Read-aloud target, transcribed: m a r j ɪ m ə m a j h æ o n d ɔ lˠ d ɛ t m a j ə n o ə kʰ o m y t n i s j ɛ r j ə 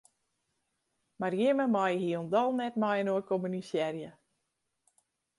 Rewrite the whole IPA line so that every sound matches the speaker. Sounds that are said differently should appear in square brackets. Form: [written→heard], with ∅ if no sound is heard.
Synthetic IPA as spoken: m a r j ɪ m ə m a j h [æ→i] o n d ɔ lˠ [d→n] ɛ t m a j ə n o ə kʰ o m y [t→∅] n i s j ɛ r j ə